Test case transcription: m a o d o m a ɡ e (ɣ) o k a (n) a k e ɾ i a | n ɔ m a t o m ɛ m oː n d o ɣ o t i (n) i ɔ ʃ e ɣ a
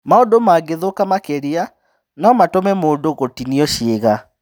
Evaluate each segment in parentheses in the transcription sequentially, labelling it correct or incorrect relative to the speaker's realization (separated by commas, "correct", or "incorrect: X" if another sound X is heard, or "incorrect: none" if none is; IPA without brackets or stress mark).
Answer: incorrect: ð, incorrect: m, correct